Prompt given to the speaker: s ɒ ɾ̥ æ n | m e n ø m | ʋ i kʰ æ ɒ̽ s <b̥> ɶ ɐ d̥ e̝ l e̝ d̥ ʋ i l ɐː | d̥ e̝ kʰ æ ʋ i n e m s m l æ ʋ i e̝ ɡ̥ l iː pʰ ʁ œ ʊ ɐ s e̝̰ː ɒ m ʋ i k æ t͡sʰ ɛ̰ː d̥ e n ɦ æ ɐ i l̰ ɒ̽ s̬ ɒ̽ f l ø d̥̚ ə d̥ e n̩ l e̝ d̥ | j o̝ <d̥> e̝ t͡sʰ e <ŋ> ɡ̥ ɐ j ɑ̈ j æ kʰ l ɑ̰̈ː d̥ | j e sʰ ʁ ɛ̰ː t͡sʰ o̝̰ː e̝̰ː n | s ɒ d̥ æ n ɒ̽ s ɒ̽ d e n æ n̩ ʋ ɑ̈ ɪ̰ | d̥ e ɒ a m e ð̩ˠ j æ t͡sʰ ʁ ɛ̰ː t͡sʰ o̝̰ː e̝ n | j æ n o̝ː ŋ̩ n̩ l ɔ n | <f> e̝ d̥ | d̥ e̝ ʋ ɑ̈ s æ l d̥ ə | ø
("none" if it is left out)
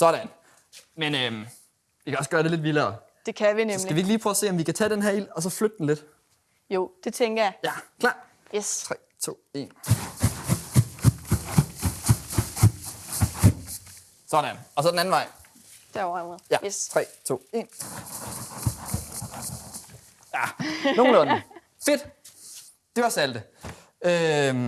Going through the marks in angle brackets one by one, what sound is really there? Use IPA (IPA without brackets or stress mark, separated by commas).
ɡ̥, d̥, ŋ, f